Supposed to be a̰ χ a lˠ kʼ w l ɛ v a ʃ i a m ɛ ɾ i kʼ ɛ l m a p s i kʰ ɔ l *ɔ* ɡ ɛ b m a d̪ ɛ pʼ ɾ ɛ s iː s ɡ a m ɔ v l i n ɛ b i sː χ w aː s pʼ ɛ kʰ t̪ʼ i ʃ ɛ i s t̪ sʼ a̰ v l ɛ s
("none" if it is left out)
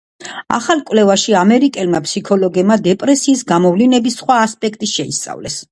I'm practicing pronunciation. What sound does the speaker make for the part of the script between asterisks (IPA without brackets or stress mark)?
ɔ